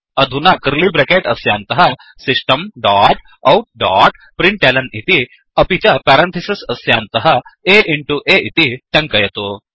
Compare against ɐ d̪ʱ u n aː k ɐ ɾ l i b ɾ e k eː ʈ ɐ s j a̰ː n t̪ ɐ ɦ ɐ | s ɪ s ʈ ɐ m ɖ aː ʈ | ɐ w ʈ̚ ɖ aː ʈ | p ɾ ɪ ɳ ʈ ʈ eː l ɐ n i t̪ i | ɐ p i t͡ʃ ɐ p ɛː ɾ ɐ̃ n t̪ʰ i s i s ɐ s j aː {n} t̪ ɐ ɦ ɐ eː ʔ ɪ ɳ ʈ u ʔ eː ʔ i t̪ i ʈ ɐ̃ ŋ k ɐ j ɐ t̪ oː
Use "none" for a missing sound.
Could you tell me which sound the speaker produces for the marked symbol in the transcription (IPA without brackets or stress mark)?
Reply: n